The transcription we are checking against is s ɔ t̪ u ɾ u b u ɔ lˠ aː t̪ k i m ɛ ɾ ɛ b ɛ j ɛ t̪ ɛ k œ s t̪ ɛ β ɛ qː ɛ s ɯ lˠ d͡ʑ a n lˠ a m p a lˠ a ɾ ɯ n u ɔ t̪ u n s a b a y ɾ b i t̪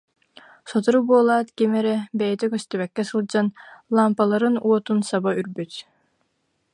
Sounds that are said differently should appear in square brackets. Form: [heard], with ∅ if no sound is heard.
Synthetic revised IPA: s ɔ t̪ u ɾ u b u ɔ lˠ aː t̪ k i m ɛ ɾ ɛ b ɛ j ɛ t̪ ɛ k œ s t̪ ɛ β ɛ [kː] ɛ s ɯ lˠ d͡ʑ a n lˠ a m p a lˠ a ɾ ɯ n u ɔ t̪ u n s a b a y ɾ b [y] t̪